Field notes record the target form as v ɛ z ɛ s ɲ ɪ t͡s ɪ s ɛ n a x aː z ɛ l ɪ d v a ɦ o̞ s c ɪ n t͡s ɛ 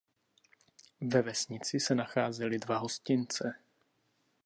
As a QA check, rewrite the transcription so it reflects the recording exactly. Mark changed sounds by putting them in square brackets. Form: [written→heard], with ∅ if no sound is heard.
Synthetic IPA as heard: v ɛ [z→v] ɛ s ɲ ɪ t͡s ɪ s ɛ n a x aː z ɛ l ɪ d v a ɦ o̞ s c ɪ n t͡s ɛ